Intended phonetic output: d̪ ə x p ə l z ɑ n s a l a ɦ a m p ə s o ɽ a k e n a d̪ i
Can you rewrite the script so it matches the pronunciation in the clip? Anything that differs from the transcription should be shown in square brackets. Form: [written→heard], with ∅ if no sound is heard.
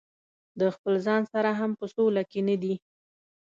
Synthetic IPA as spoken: d̪ ə x p ə l z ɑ n s a [l→ɾ] a ɦ a m p ə s o [ɽ→l] a k e n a d̪ i